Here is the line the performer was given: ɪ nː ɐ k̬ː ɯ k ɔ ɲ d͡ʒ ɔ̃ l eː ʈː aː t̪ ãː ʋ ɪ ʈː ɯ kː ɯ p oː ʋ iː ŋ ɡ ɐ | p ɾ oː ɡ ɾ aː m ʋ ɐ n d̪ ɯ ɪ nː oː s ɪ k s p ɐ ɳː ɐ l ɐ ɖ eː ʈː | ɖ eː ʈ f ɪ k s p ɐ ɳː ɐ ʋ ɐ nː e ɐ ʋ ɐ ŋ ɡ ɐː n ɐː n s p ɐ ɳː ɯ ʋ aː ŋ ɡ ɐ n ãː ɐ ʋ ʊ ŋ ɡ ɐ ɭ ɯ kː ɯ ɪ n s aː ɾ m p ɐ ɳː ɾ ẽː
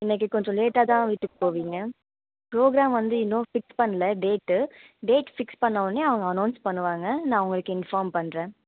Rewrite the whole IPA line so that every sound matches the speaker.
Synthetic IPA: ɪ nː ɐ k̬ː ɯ k ɔ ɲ d͡ʒ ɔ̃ l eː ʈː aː t̪ ãː ʋ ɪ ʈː ɯ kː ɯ p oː ʋ iː ŋ ɡ ɐ | p ɾ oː ɡ ɾ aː m ʋ ɐ n d̪ ɯ ɪ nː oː f ɪ k s p ɐ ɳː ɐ l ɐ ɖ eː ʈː | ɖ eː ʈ f ɪ k s p ɐ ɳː ɐ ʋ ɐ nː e ɐ ʋ ɐ ŋ ɡ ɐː n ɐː n s p ɐ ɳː ɯ ʋ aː ŋ ɡ ɐ n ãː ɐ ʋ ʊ ŋ ɡ ɐ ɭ ɯ kː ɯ ɪ n f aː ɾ m p ɐ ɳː ɾ ẽː